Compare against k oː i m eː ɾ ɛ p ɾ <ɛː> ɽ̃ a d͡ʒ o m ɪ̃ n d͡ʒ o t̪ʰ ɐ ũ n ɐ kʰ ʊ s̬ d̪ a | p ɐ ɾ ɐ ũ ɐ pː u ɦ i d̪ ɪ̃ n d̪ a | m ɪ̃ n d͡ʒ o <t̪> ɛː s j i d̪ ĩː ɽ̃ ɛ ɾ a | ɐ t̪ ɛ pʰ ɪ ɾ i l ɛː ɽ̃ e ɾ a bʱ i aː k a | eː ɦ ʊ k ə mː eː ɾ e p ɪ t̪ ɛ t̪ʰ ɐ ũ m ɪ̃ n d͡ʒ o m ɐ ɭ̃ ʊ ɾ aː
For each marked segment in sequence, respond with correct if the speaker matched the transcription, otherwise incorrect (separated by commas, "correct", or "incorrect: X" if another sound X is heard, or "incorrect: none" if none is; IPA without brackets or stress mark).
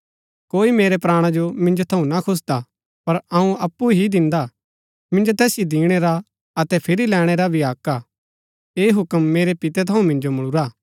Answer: incorrect: aː, correct